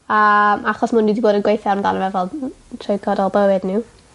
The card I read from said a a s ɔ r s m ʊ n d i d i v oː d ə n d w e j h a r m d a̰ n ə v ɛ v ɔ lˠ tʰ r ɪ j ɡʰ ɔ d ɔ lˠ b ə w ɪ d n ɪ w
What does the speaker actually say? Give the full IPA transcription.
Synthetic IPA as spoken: a a χ ɔ s m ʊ n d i d i b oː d ə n ɡ w e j θ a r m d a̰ n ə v ɛ v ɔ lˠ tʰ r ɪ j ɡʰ ɔ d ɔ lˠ b ə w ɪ d n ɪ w